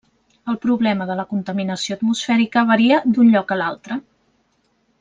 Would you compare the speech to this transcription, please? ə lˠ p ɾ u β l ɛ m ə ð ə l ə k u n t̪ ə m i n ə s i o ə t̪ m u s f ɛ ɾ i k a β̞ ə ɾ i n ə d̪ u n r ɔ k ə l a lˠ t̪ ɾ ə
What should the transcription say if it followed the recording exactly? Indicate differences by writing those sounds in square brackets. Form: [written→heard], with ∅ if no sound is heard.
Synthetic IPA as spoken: ə lˠ p ɾ u β l ɛ m ə ð ə l ə k u n t̪ ə m i n ə s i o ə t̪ m u s f ɛ ɾ i k [a→ə] β̞ ə ɾ i [n→∅] ə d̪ u n [r→ʎ] ɔ k ə l a lˠ t̪ ɾ ə